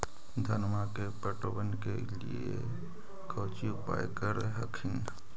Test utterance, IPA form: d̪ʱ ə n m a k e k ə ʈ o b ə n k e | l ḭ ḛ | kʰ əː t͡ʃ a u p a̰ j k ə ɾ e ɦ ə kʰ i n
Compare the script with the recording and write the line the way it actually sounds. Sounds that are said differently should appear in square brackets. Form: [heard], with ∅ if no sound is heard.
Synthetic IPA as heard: d̪ʱ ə n m a k e [p] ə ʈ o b ə n k e | l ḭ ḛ | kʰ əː t͡ʃ [i] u p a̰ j k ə ɾ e ɦ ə kʰ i n